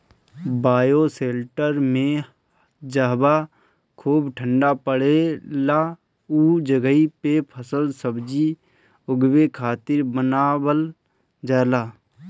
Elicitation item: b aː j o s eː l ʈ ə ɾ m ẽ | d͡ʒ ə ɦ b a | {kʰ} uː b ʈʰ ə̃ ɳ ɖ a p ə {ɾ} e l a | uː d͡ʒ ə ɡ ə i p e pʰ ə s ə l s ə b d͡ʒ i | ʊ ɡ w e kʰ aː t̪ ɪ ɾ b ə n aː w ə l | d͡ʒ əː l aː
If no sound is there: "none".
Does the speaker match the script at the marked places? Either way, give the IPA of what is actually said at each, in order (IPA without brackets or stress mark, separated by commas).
kʰ, ɽ